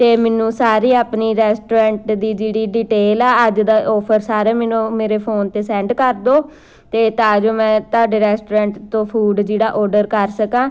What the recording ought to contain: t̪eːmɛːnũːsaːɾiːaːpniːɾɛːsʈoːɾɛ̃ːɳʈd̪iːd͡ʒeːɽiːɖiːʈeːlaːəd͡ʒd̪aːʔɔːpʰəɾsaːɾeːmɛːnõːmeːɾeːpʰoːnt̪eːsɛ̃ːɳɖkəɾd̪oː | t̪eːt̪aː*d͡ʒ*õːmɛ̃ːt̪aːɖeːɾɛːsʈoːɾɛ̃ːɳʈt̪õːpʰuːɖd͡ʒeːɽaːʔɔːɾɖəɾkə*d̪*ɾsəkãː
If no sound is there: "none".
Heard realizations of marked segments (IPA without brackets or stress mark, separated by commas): d͡ʒ, none